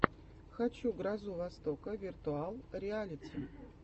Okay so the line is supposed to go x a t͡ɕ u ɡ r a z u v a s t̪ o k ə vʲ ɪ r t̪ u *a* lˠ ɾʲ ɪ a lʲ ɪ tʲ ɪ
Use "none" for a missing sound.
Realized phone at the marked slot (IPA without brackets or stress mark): a